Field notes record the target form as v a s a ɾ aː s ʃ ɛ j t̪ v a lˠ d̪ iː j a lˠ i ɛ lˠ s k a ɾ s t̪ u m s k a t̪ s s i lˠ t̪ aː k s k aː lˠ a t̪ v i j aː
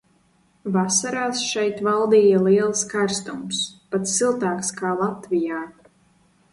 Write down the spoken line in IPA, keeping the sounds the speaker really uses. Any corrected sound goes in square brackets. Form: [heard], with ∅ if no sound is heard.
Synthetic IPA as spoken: v a s a ɾ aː s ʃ ɛ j t̪ v a lˠ d̪ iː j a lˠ i ɛ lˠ s k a ɾ s t̪ u m s [p] a t̪ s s i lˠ t̪ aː k s k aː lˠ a t̪ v i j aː